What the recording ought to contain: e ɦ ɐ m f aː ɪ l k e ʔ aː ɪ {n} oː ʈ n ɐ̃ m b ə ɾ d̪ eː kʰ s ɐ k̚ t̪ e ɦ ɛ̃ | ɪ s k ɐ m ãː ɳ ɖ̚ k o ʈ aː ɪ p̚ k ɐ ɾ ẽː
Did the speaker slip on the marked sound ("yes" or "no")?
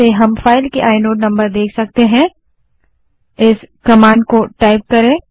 no